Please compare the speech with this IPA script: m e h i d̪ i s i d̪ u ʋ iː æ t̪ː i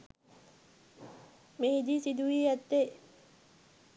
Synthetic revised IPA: m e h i d̪ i s i d̪ u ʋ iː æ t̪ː e